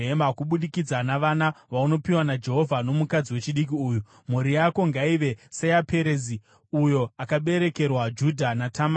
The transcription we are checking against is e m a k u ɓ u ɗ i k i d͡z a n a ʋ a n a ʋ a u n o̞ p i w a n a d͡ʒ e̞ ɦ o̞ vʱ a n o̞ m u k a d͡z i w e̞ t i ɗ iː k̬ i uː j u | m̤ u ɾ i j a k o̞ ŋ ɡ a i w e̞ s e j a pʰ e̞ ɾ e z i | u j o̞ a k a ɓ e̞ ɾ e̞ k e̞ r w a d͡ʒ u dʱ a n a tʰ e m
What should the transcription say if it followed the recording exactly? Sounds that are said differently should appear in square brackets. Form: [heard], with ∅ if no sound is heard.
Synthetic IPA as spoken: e m a k u ɓ u ɗ i k i d͡z a n a ʋ a n a ʋ a u n o̞ p i w a n a d͡ʒ e̞ ɦ o̞ vʱ a n o̞ m u k a d͡z i w e̞ [t͡ʃ] i ɗ [i] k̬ i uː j u | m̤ u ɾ i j a k o̞ ŋ ɡ a i [ʋ] e̞ s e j a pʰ e̞ ɾ e z i | u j o̞ a k a ɓ e̞ ɾ e̞ k e̞ r w a d͡ʒ u dʱ a n a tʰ [a] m